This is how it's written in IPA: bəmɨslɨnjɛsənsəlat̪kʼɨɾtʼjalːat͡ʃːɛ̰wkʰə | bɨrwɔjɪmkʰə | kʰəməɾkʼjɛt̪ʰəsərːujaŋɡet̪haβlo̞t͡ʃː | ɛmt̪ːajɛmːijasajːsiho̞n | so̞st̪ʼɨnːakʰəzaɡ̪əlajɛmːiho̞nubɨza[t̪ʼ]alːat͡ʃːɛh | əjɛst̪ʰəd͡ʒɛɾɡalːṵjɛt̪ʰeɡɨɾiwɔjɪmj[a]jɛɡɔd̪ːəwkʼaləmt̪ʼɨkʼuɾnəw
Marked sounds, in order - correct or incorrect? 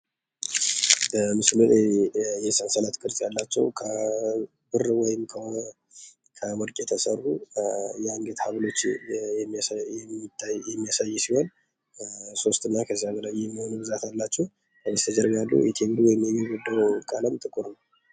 incorrect, incorrect

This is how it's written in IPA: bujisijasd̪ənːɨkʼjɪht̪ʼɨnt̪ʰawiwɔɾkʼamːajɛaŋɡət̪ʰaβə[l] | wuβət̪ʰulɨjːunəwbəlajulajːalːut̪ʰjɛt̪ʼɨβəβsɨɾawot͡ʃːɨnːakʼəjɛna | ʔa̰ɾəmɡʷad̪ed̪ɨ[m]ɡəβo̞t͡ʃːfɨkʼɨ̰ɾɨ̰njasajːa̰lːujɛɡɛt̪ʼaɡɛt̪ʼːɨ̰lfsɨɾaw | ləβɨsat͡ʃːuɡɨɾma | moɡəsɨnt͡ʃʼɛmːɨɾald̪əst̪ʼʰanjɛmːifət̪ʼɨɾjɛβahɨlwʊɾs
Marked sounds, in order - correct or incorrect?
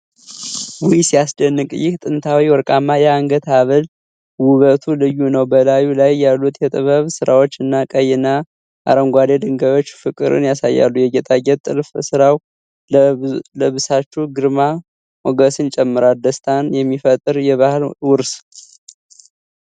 correct, incorrect

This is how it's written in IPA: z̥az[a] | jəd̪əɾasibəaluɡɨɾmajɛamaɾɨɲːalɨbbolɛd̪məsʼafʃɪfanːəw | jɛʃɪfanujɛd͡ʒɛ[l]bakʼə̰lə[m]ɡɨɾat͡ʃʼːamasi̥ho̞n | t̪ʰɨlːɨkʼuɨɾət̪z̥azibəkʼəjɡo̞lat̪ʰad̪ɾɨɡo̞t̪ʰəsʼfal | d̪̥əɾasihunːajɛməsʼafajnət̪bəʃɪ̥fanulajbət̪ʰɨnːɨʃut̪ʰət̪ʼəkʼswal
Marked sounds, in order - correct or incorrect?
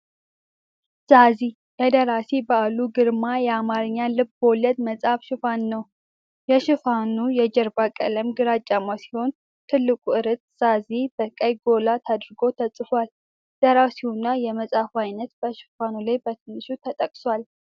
incorrect, incorrect, correct

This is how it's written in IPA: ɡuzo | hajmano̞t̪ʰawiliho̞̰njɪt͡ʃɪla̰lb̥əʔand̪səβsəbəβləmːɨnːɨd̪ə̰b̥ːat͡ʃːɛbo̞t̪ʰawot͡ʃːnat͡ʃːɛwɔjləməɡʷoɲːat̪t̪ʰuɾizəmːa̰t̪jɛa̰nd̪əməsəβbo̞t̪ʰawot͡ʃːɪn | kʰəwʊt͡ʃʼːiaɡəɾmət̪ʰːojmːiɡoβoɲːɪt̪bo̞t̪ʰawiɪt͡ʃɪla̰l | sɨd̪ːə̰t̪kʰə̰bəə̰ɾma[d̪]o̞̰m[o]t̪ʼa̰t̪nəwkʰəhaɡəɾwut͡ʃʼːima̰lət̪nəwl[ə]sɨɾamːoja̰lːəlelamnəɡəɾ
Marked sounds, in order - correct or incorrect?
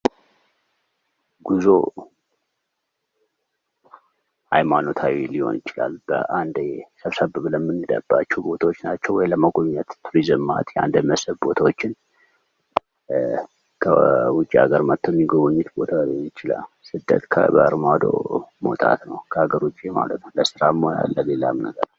correct, correct, correct

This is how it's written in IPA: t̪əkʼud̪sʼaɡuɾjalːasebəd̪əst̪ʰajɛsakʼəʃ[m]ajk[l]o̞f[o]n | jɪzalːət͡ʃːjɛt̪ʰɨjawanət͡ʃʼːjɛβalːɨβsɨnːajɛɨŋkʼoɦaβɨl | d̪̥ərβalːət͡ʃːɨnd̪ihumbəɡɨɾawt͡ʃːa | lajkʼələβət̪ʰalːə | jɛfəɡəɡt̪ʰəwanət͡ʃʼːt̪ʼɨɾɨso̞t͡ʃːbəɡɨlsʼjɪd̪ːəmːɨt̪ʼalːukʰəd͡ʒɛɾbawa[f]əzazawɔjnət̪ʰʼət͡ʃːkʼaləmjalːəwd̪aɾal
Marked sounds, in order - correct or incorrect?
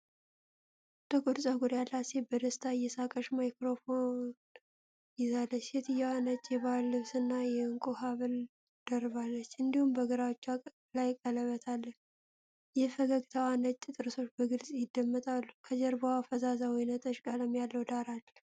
correct, incorrect, correct, correct

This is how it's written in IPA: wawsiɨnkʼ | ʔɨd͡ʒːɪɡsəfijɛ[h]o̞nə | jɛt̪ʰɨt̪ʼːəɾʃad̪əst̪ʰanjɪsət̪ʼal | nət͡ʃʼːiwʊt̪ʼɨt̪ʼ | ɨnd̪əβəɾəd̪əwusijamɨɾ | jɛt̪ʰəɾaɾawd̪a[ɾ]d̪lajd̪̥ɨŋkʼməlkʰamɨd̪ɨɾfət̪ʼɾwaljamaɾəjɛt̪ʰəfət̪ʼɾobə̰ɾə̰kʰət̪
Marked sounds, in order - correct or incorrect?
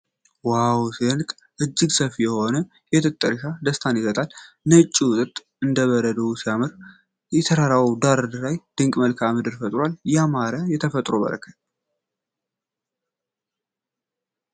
correct, correct

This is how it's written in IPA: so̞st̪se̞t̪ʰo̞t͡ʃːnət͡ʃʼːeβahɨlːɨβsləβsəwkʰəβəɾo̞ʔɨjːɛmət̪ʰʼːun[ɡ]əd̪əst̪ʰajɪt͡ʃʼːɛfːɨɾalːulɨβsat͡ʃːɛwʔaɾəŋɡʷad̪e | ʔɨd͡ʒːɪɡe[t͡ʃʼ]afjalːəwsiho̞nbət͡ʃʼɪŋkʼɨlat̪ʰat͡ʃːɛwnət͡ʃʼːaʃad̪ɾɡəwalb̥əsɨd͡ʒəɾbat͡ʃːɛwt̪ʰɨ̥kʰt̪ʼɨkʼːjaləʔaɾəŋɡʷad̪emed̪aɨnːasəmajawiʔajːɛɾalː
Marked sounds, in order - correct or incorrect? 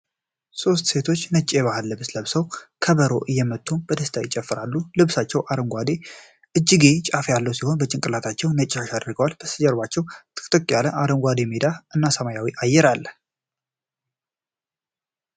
incorrect, correct

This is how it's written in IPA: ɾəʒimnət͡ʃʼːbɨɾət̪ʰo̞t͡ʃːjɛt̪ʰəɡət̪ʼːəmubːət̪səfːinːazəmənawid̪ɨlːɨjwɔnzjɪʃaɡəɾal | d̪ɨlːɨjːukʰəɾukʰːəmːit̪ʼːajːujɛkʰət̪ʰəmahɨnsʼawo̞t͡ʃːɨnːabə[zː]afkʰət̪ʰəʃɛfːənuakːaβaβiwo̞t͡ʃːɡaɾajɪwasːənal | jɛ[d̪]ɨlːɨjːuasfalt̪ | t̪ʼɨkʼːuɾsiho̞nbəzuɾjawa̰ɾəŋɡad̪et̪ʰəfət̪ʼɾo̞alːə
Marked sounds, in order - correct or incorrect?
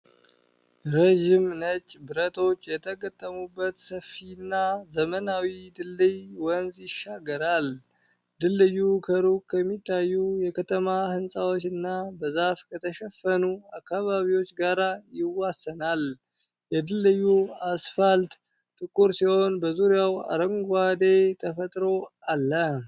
incorrect, correct

